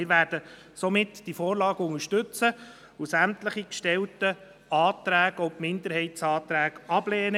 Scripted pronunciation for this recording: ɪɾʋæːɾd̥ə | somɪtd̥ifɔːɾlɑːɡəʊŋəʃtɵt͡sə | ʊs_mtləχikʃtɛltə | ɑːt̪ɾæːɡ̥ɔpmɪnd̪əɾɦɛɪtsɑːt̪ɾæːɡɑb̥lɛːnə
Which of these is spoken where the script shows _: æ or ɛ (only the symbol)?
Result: æ